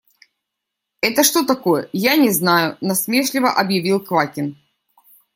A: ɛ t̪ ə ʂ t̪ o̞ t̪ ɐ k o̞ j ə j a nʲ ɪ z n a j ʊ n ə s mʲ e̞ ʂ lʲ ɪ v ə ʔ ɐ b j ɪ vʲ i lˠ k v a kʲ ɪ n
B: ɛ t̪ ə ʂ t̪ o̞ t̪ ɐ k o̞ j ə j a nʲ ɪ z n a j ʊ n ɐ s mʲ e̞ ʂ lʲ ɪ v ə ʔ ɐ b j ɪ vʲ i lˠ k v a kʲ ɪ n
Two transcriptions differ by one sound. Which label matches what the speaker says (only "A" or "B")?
B